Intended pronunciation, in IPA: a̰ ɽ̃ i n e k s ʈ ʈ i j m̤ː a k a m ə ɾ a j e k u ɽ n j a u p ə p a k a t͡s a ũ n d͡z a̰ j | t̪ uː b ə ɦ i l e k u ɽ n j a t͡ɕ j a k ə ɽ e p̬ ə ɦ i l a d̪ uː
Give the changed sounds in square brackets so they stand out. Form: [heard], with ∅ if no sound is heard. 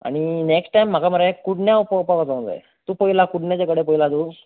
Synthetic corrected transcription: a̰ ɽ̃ i n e k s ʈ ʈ [a] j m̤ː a k a m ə ɾ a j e k u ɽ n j a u p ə p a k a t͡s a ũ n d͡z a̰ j | t̪ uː [p] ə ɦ i l [a] k u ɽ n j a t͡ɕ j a k ə ɽ e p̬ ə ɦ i l a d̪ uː